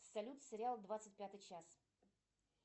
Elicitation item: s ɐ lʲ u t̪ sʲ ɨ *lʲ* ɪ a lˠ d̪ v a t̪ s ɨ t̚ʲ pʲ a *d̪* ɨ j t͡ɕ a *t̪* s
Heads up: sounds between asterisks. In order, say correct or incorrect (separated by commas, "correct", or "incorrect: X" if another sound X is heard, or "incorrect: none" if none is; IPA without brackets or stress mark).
incorrect: ɾʲ, incorrect: t̪, incorrect: none